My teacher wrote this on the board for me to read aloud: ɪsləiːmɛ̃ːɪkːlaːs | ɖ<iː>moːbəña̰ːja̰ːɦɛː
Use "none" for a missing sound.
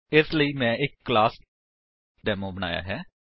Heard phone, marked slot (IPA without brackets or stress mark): ɛː